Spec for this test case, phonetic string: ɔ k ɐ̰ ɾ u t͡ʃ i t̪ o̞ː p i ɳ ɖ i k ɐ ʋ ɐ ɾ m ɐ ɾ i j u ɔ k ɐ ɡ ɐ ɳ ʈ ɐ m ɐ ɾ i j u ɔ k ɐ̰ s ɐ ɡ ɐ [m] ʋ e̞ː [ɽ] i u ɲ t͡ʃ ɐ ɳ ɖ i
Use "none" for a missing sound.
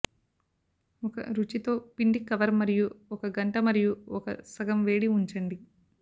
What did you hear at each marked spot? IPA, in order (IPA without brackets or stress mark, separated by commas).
m, ɽ